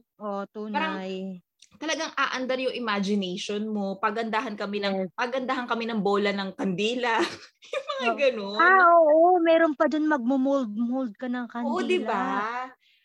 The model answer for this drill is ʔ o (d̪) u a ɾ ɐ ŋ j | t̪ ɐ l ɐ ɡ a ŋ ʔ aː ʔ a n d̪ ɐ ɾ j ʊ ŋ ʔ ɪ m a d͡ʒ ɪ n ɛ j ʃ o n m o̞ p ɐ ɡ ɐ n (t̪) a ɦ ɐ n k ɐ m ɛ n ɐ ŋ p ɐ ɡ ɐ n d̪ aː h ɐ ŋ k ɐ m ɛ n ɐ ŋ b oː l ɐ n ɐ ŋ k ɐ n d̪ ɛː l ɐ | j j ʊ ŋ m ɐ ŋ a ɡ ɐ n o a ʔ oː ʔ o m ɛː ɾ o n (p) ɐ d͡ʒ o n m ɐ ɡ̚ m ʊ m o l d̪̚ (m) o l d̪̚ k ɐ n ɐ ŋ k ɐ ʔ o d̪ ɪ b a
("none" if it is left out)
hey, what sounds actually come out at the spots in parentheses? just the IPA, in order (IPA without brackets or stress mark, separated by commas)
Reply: t̪, d̪, p, m